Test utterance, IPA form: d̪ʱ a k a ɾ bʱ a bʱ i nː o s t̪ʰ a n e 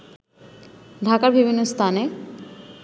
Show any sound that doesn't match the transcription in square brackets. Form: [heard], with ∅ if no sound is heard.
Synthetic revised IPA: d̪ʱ a k a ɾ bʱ [i] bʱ i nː o s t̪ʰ a n e

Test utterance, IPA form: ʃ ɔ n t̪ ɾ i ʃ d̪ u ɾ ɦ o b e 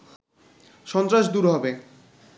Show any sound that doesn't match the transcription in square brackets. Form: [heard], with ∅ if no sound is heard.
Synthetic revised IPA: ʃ ɔ n t̪ ɾ [a] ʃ d̪ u ɾ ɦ [ɔ] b e

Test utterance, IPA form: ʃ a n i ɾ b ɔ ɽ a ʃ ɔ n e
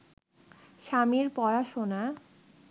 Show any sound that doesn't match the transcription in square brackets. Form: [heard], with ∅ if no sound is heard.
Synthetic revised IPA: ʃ a [m] i ɾ [p] ɔ [ɾ] a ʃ [o] n [a]

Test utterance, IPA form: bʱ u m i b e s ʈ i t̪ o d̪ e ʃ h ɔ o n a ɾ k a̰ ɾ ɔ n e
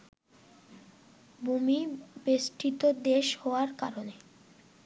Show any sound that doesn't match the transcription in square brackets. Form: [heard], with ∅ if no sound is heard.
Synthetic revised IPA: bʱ u m i b e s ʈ i t̪ o d̪ e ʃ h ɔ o [∅] a ɾ k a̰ ɾ [o] n e

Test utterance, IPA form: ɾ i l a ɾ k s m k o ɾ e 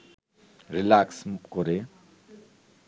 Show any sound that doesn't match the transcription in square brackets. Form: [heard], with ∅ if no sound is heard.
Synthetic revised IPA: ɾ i l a [∅] k s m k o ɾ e

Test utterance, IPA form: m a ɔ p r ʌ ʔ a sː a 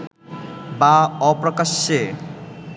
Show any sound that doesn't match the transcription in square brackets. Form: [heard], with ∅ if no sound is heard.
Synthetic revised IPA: [b] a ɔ p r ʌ [k] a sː [e]

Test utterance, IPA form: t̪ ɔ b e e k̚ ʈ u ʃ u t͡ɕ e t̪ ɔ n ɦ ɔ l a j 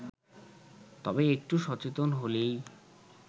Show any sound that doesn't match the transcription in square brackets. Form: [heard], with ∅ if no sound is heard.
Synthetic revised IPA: t̪ ɔ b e e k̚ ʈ u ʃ [ɔ] t͡ɕ e t̪ [o] n ɦ [o] l [e] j

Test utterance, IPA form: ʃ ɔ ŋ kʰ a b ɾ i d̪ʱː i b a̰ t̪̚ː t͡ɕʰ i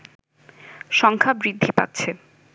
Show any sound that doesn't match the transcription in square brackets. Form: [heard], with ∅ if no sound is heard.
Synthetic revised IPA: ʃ ɔ ŋ kʰ a b ɾ i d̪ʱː i [p] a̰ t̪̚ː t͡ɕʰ [e]

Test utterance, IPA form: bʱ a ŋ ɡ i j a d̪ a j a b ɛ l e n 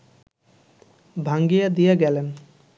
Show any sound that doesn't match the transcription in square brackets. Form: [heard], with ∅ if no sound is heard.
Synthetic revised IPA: bʱ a ŋ ɡ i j a d̪ [i] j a [ɡ] ɛ l e n

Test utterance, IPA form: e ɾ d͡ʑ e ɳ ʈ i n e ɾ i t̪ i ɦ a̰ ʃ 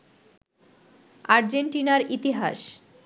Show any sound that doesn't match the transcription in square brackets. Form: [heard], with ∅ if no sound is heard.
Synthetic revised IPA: [a] ɾ d͡ʑ e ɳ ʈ i n [a] ɾ i t̪ i ɦ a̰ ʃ

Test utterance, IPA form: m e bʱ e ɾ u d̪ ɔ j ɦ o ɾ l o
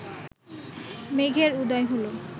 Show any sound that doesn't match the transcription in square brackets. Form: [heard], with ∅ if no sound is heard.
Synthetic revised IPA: m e [ɡʱ] e ɾ u d̪ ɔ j ɦ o [∅] l o

